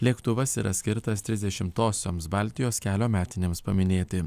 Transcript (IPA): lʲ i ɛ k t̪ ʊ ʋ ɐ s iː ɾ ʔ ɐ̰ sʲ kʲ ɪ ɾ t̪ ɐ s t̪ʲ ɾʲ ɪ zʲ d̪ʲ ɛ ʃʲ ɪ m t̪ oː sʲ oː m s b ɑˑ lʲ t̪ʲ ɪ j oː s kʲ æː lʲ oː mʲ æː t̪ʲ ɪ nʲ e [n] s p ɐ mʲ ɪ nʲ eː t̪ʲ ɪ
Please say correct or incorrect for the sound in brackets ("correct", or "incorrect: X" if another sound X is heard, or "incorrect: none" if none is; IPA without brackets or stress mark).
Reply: incorrect: m